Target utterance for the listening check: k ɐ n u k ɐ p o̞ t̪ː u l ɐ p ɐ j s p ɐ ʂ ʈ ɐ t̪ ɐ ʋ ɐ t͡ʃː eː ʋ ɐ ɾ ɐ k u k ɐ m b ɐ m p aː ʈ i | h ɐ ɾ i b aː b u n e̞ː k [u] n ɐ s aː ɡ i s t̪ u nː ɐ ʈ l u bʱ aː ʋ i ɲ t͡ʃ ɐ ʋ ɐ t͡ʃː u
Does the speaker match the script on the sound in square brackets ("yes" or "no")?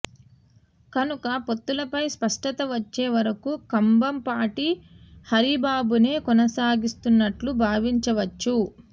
no